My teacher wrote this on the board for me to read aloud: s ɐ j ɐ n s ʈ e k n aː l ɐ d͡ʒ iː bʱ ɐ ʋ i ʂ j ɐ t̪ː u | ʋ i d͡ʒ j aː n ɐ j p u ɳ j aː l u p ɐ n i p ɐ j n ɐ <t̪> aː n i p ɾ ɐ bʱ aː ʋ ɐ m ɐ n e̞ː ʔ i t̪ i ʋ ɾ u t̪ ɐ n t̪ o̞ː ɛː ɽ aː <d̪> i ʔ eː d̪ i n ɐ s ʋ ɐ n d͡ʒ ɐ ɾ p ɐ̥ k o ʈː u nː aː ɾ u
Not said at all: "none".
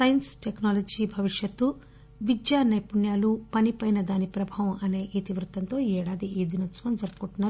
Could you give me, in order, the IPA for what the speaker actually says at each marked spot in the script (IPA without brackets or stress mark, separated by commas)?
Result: d̪, d̪